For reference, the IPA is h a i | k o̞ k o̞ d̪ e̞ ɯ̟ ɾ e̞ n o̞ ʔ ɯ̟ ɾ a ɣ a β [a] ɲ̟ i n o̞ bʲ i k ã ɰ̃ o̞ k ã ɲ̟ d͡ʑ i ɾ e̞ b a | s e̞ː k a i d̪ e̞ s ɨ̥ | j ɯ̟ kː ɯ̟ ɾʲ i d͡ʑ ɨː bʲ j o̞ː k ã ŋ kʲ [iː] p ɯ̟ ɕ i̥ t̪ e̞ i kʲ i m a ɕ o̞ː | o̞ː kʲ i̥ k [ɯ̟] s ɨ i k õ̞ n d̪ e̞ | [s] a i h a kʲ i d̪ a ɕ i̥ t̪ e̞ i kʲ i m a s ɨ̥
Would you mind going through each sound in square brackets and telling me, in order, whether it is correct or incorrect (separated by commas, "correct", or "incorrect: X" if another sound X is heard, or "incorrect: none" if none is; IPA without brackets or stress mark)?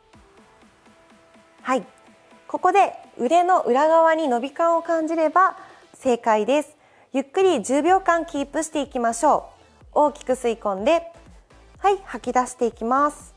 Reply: correct, correct, correct, incorrect: h